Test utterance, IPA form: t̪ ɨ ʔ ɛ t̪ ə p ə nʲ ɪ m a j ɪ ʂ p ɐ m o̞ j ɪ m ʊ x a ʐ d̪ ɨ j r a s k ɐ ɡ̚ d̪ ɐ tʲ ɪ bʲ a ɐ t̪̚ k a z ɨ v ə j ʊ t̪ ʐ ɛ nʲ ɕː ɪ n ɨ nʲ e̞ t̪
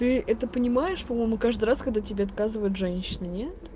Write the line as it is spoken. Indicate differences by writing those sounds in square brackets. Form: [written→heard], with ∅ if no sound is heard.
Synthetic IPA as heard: t̪ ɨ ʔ ɛ t̪ ə p ə nʲ ɪ m a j ɪ ʂ p ɐ m o̞ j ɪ m ʊ [x→k] a ʐ d̪ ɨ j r a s k ɐ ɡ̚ d̪ [ɐ→a] tʲ ɪ bʲ [a→e] ɐ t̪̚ k a z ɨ v ə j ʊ t̪ ʐ ɛ nʲ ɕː ɪ n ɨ nʲ e̞ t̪